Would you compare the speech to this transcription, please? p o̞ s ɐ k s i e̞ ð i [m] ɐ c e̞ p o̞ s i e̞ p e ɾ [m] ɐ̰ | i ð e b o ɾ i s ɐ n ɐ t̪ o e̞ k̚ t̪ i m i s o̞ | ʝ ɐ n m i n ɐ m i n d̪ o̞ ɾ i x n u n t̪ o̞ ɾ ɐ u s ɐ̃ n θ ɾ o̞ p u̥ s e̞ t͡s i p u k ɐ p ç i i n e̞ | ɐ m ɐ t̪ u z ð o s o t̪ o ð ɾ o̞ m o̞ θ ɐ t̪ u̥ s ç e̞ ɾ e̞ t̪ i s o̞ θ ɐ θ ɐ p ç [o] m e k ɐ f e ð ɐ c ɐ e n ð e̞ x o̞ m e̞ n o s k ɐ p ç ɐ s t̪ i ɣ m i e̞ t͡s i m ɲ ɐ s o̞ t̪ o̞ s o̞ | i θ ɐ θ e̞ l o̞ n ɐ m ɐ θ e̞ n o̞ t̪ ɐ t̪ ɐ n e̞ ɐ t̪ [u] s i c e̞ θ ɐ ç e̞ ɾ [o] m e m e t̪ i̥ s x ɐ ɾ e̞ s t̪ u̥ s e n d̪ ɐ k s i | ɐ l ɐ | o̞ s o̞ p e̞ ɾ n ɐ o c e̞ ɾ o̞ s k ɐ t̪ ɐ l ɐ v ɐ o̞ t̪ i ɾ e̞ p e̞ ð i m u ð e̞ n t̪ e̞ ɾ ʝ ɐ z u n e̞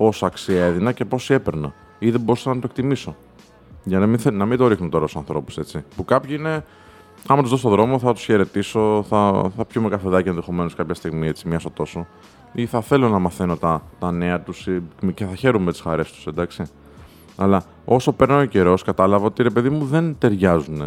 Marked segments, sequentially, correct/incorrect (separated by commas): incorrect, incorrect, incorrect, correct, incorrect